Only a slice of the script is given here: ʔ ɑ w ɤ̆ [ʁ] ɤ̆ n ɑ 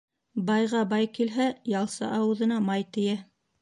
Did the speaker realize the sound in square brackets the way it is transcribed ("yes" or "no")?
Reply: no